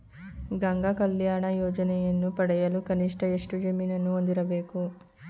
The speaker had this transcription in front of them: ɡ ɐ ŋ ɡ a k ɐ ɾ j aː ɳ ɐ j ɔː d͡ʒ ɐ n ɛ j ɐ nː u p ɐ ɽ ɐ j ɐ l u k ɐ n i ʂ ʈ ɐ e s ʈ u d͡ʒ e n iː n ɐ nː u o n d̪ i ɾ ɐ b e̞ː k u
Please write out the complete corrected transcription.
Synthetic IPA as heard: ɡ ɐ ŋ ɡ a k ɐ l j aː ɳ ɐ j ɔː d͡ʒ ɐ n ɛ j ɐ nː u p ɐ ɽ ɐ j ɐ l u k ɐ n i ʂ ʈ ɐ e ʂ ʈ u d͡ʒ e m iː n ɐ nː u o n d̪ i ɾ ɐ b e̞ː k u